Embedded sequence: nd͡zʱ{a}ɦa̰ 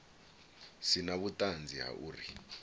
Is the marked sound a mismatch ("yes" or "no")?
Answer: yes